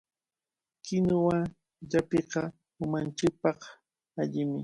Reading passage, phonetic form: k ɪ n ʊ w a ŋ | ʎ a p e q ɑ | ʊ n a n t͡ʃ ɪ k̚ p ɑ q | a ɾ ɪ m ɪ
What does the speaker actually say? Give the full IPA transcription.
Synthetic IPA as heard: k ɪ n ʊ w a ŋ | ʎ a p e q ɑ | ʊ m a n t͡ʃ ɪ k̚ p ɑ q | a ʎ ɪ m ɪ